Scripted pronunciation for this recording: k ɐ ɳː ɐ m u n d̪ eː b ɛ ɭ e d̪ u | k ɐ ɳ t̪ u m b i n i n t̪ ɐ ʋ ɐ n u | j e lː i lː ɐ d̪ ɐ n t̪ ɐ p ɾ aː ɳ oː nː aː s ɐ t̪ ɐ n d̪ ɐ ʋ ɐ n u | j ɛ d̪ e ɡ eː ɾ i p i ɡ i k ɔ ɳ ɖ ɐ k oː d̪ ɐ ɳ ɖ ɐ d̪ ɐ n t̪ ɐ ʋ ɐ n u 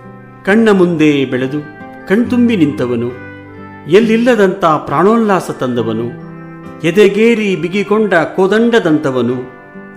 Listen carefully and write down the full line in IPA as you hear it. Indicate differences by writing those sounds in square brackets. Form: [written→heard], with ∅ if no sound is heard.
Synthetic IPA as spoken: k ɐ ɳː ɐ m u n d̪ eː b ɛ ɭ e d̪ u | k ɐ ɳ t̪ u m b i n i n t̪ ɐ ʋ ɐ n u | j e lː i lː ɐ d̪ ɐ n t̪ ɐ p ɾ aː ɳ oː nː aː s ɐ t̪ ɐ n d̪ ɐ ʋ ɐ n u | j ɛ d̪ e ɡ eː ɾ i [p→b] i ɡ i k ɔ ɳ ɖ ɐ k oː d̪ ɐ ɳ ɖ ɐ d̪ ɐ n t̪ ɐ ʋ ɐ n u